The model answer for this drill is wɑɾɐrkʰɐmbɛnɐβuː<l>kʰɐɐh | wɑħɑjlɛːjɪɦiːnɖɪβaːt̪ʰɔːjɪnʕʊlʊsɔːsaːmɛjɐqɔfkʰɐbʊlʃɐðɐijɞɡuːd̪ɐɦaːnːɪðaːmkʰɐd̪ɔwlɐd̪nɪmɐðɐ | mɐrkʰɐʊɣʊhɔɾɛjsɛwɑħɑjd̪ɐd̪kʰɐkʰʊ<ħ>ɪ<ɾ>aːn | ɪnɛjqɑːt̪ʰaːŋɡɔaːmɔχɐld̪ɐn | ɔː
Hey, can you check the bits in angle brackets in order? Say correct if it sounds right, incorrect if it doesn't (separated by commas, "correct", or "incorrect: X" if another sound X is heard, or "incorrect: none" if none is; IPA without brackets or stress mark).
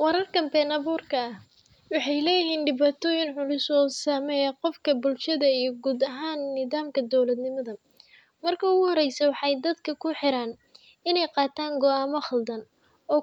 incorrect: r, correct, correct